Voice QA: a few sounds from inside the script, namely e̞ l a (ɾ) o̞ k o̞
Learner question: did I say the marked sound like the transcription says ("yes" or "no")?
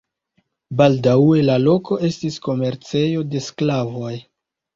no